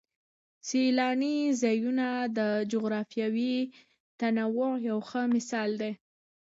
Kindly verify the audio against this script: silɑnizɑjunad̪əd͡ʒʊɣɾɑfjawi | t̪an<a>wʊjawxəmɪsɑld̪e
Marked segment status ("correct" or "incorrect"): correct